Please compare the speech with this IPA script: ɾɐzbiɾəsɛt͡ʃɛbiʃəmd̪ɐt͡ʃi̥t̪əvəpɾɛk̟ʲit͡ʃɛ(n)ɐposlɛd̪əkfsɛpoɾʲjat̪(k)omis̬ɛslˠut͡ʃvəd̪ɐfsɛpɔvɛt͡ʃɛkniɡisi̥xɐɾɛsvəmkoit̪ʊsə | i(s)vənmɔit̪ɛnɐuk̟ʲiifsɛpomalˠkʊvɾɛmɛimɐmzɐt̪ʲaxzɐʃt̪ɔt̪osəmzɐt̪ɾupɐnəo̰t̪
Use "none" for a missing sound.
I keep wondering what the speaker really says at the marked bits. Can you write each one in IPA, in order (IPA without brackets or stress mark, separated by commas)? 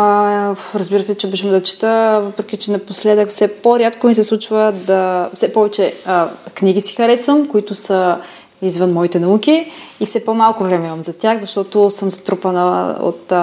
n, k, z